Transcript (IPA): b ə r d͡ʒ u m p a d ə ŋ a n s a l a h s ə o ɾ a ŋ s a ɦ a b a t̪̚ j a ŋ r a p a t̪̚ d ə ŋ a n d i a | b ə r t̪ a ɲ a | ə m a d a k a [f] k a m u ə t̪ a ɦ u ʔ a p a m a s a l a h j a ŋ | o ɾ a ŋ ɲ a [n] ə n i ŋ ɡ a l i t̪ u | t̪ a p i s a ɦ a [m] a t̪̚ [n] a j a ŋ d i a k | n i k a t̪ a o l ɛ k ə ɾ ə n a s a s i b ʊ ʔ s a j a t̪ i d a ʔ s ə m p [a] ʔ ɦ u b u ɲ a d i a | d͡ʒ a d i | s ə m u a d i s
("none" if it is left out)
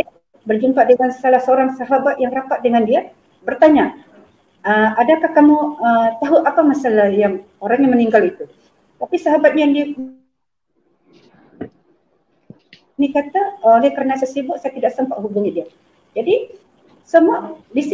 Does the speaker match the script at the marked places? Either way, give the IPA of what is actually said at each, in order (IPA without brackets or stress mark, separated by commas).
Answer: h, m, b, ɲ, a